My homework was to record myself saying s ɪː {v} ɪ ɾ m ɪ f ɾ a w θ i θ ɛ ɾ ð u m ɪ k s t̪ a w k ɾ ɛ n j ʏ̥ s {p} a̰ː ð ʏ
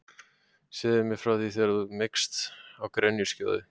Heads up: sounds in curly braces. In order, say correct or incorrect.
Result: incorrect, incorrect

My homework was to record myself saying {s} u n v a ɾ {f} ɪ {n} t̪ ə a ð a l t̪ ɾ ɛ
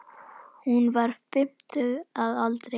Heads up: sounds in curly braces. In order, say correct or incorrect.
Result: incorrect, correct, incorrect

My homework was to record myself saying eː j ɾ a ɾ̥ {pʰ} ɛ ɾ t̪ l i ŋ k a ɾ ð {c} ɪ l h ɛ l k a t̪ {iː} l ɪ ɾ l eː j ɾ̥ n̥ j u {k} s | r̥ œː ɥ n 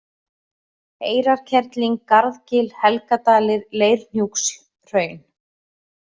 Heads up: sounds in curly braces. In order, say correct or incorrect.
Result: incorrect, correct, incorrect, correct

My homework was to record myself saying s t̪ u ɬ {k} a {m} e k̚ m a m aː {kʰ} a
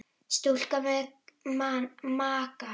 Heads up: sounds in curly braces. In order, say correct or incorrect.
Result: correct, correct, incorrect

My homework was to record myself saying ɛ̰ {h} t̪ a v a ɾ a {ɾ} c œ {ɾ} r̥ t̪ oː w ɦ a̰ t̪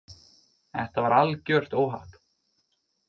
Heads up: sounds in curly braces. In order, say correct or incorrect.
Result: correct, incorrect, incorrect

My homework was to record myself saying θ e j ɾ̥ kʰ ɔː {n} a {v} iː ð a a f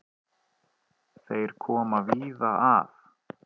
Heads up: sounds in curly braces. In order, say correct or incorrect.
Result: incorrect, correct

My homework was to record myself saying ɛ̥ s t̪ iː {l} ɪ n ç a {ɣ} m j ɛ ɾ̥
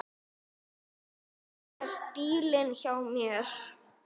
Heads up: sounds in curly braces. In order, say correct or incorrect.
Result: correct, incorrect

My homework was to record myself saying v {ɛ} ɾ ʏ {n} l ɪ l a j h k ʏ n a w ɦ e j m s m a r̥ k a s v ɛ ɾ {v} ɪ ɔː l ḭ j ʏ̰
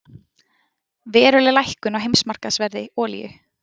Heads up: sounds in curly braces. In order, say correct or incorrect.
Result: incorrect, incorrect, incorrect

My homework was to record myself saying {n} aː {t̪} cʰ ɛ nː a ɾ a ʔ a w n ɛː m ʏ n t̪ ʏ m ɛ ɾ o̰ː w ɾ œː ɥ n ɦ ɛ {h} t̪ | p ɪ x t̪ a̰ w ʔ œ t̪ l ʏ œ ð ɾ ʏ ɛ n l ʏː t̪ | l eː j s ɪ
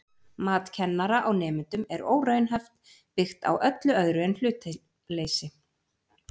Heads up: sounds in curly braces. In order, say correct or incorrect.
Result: incorrect, correct, incorrect

